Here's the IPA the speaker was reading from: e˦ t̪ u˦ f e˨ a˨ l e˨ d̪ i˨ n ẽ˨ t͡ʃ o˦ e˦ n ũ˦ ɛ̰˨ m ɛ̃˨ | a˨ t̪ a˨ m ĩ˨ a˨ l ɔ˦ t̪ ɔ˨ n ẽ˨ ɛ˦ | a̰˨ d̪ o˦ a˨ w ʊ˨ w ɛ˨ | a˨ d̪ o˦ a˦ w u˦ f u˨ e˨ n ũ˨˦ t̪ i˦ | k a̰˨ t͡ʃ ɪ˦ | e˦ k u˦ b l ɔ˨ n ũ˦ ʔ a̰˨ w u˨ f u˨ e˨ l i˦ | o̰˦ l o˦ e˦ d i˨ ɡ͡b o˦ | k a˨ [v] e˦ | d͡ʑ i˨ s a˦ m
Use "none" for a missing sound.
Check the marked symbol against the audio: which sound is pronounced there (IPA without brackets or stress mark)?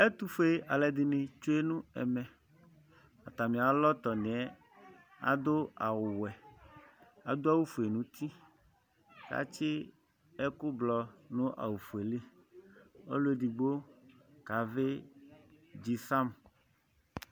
v